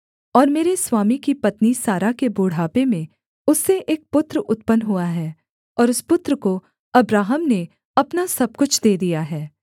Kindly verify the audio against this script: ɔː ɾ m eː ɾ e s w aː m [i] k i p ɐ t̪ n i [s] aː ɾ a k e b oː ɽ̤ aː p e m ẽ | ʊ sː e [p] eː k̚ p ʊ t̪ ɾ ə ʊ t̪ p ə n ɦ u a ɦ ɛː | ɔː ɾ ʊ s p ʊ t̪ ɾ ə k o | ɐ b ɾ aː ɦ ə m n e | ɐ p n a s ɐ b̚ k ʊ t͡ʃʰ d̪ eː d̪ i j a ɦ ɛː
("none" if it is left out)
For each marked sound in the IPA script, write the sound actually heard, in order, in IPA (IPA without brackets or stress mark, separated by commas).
i, s, ʔ